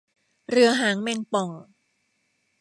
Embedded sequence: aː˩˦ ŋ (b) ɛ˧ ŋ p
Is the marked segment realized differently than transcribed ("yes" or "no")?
yes